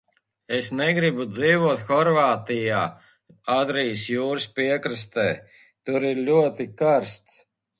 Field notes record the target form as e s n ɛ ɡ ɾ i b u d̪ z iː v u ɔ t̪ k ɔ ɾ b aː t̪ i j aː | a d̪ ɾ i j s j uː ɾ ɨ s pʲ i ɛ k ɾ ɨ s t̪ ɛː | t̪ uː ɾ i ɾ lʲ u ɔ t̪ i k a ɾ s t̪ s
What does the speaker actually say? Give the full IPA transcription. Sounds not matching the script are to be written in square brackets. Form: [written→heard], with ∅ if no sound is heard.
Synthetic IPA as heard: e s n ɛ ɡ ɾ i b u d̪ z iː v u ɔ t̪ [k→x] ɔ ɾ [b→v] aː t̪ i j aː | a d̪ ɾ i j s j uː ɾ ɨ s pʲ i ɛ k ɾ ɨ s t̪ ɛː | t̪ [uː→u] ɾ i ɾ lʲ u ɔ t̪ i k a ɾ s t̪ s